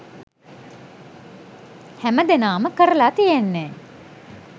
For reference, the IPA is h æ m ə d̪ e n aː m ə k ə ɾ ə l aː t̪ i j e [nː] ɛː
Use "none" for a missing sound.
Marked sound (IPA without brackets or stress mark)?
nː